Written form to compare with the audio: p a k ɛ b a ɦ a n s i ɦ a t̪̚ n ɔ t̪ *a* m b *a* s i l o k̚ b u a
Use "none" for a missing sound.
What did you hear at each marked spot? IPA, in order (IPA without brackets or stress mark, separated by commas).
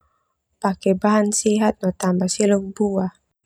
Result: a, a